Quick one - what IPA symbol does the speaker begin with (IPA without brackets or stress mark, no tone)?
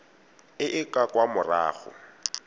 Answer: ɪ